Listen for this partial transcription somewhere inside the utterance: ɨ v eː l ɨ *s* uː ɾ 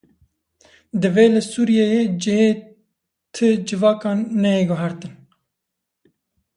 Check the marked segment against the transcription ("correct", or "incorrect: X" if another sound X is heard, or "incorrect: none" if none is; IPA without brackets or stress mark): correct